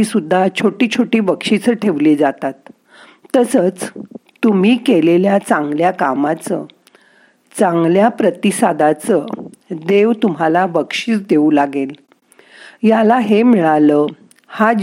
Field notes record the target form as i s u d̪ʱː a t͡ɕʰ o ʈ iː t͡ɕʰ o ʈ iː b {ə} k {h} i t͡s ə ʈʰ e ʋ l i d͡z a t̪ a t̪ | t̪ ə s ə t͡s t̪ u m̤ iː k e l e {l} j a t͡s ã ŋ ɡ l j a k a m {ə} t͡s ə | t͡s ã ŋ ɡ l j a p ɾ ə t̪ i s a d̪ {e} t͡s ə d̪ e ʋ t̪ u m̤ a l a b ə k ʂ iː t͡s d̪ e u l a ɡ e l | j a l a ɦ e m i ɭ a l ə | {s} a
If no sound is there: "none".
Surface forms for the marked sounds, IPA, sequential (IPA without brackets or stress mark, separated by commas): ə, ʂ, l, a, a, h